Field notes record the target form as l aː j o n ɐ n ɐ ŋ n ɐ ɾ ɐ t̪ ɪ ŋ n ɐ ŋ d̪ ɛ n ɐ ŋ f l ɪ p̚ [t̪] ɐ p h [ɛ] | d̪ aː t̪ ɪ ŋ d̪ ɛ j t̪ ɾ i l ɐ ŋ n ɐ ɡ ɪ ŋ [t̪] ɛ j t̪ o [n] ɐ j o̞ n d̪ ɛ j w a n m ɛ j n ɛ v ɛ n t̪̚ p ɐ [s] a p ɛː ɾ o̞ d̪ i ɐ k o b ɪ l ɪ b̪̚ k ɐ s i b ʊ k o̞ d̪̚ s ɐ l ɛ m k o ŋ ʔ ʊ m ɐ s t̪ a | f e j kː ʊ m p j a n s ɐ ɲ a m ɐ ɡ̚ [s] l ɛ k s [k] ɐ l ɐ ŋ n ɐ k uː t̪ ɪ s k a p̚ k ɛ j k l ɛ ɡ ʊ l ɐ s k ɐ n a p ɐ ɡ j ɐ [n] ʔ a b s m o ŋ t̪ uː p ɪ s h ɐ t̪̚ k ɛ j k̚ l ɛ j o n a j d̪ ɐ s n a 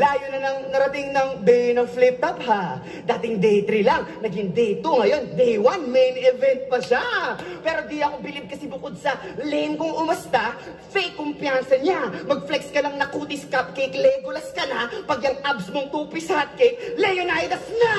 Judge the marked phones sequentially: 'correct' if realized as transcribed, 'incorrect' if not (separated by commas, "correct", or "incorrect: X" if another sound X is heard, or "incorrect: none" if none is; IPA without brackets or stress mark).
correct, incorrect: a, incorrect: d̪, incorrect: ŋ, incorrect: ʃ, incorrect: f, correct, incorrect: ŋ